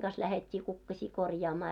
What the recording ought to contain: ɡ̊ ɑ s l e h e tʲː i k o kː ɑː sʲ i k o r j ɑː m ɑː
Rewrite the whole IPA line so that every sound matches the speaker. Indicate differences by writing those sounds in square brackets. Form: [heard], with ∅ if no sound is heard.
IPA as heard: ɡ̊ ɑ s l [æ] h e tʲː [iː] k [u] kː [ɑ] sʲ [iː] k o r j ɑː m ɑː